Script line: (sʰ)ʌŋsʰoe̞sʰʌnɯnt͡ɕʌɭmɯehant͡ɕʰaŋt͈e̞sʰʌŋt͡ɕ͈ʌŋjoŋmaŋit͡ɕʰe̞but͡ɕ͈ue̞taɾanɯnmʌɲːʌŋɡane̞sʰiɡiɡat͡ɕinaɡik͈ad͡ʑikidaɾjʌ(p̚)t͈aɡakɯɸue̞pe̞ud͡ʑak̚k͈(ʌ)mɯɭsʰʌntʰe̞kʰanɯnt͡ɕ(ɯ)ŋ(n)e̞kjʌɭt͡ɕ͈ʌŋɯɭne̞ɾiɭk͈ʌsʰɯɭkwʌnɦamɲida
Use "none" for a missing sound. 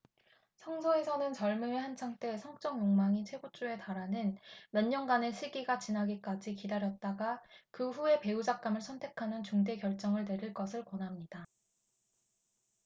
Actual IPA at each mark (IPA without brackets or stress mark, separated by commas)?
sʰ, t̚, a, u, d